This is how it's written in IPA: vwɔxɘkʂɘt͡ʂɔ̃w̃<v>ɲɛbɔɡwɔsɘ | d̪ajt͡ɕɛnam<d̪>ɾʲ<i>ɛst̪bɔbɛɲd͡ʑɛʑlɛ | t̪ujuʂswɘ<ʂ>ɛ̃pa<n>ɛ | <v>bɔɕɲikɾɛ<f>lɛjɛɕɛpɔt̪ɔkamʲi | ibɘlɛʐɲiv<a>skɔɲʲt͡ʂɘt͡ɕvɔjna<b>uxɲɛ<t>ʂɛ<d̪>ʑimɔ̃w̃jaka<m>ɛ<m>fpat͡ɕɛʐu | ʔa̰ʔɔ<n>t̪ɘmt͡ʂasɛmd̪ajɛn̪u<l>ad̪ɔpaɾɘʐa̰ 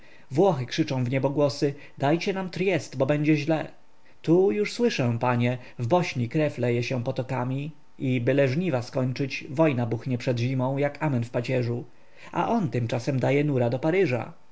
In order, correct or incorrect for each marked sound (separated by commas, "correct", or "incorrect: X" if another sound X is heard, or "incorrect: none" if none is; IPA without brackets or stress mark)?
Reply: correct, incorrect: t̪, incorrect: j, correct, incorrect: ɲ, correct, correct, correct, correct, incorrect: p, correct, correct, incorrect: n, correct, incorrect: ɾ